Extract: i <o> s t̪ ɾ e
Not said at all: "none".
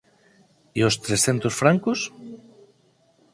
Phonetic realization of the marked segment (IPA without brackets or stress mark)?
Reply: o